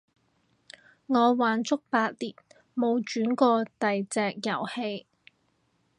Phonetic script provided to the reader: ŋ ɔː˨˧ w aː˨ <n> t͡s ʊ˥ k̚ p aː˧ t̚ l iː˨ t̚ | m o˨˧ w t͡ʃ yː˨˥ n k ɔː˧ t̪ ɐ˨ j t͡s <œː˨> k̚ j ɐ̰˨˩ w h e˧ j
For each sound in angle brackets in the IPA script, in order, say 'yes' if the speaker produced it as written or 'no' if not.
yes, no

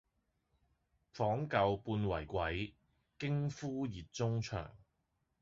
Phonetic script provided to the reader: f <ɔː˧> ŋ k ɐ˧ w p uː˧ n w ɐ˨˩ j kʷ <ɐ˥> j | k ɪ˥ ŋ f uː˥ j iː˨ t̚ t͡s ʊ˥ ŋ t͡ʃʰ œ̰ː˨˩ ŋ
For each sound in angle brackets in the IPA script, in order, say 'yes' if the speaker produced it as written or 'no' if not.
no, no

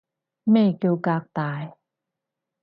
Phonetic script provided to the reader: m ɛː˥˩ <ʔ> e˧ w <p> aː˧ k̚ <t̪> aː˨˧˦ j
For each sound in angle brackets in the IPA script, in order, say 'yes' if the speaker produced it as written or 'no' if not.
no, no, yes

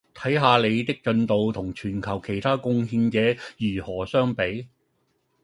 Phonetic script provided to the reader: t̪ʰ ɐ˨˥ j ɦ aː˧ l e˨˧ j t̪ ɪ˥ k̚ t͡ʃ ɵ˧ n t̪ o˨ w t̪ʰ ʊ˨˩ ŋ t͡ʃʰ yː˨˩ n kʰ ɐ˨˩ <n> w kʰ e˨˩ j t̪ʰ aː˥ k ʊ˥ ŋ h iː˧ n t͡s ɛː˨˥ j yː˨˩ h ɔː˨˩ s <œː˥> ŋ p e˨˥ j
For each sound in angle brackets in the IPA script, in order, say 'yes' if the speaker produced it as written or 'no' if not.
no, yes

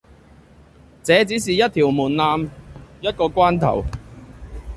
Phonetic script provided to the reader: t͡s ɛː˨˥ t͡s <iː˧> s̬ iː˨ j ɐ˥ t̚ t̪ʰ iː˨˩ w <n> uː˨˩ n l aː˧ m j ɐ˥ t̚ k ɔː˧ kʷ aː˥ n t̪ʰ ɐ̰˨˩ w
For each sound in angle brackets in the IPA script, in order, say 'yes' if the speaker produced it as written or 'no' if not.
no, no

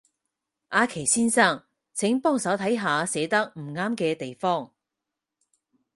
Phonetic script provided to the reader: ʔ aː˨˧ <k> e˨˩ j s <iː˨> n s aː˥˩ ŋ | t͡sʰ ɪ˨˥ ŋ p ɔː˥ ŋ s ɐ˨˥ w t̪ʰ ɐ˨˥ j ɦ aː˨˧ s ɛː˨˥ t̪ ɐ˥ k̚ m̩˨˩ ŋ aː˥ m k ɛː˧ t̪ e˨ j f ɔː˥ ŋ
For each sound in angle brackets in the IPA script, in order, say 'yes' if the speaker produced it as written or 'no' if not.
no, no

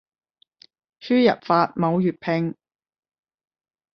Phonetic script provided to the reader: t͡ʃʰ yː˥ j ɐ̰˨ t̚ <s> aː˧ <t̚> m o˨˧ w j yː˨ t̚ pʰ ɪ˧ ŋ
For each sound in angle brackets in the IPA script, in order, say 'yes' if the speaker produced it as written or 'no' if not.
no, yes

